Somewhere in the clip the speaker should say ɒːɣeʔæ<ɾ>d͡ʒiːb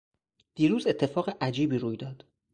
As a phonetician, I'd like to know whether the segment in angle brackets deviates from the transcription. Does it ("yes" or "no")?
yes